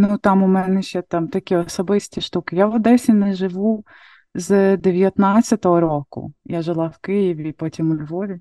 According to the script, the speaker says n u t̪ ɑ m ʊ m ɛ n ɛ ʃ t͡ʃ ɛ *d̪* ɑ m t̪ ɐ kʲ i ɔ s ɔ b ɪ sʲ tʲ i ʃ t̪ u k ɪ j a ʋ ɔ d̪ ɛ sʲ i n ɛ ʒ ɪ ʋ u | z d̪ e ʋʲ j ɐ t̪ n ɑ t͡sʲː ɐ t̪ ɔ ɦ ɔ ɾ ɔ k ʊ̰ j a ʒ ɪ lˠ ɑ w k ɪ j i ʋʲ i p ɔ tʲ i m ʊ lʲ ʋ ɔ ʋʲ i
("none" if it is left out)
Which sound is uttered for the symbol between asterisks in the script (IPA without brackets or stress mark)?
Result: t̪